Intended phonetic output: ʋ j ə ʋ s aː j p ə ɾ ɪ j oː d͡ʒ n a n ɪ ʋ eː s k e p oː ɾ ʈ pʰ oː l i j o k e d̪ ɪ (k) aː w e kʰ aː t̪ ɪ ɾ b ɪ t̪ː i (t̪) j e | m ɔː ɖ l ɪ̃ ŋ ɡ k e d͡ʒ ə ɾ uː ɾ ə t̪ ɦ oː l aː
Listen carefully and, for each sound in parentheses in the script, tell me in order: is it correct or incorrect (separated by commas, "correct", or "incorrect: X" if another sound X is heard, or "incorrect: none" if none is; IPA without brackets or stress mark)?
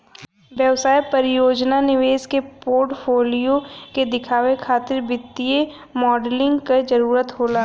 incorrect: kʰ, incorrect: none